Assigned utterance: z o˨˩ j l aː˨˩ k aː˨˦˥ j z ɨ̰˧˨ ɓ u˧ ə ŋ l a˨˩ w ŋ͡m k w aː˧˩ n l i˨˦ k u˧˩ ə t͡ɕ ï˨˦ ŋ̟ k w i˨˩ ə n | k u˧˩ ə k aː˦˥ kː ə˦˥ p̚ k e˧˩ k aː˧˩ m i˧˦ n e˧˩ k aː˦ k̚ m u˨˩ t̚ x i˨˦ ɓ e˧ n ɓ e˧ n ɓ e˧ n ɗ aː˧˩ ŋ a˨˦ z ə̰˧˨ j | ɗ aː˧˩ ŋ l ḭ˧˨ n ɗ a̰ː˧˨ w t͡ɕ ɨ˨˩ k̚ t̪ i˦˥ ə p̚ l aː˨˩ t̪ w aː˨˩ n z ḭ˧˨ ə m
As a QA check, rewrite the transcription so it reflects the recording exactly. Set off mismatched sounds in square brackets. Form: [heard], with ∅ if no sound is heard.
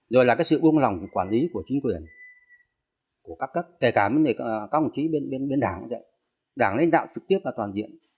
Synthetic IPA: z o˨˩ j l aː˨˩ k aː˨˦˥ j [s] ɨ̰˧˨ ɓ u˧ ə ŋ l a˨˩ w ŋ͡m k w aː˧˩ n l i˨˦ k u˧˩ ə t͡ɕ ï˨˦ ŋ̟ k w i˨˩ ə n | k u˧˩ ə k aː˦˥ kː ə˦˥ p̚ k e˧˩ k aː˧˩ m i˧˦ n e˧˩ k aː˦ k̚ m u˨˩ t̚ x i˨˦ ɓ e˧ n ɓ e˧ n ɓ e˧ n ɗ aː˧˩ ŋ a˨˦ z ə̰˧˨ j | ɗ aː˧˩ ŋ l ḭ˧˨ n ɗ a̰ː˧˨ w t͡ɕ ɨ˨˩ k̚ t̪ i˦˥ ə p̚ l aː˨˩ t̪ w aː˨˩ n z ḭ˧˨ ə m